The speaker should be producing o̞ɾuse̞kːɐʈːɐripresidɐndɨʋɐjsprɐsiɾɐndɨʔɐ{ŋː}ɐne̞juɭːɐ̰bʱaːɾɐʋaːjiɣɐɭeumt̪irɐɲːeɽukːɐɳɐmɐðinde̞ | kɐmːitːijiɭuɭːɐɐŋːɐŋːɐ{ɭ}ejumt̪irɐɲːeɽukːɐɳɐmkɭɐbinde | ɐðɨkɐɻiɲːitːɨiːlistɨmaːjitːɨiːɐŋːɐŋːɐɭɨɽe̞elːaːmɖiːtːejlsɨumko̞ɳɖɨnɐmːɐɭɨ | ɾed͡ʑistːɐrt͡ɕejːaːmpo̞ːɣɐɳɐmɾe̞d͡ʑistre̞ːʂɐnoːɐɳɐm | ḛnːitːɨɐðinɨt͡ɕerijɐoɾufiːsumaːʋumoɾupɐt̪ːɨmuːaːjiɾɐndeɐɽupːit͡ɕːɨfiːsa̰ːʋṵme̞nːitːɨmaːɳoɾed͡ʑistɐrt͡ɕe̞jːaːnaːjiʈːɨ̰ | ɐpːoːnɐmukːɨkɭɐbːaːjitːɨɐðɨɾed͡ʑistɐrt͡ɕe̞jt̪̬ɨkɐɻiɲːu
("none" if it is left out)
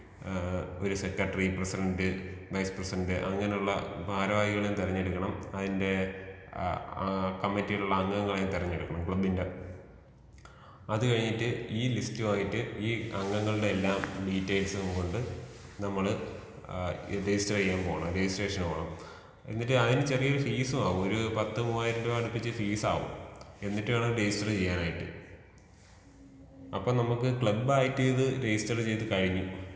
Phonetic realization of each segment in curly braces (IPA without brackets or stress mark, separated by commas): ŋː, ɭ